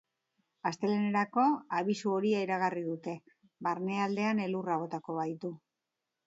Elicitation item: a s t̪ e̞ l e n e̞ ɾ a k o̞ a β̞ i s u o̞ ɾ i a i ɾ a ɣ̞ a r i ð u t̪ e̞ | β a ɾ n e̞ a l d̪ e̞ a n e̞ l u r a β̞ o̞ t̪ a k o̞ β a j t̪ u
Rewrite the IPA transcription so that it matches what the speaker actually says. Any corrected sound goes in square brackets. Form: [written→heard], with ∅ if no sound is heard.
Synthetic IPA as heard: a s t̪ e̞ l e n e̞ ɾ a k o̞ a β̞ i s u o̞ ɾ i a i ɾ a ɣ̞ a r i ð u t̪ e̞ | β a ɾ n e̞ a l d̪ e̞ a n e̞ l u r a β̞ o̞ t̪ a k o̞ β a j t̪ u